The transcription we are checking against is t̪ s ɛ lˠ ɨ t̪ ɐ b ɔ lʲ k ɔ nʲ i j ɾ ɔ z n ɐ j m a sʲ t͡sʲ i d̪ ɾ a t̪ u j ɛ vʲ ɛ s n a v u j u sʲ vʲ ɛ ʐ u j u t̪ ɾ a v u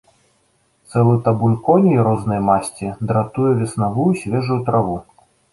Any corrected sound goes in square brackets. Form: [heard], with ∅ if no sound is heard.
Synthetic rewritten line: t̪ s ɛ lˠ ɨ t̪ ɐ b [u] lʲ k ɔ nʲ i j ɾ ɔ z n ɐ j m a sʲ t͡sʲ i d̪ ɾ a t̪ u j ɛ vʲ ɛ s n a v u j u sʲ vʲ ɛ ʐ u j u t̪ ɾ a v u